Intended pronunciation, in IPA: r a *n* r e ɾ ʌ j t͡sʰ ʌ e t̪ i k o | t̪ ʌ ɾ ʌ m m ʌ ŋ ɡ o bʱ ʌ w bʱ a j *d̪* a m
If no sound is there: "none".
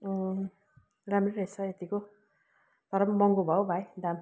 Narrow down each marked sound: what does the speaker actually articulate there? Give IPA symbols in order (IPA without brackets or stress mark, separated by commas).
m, d̪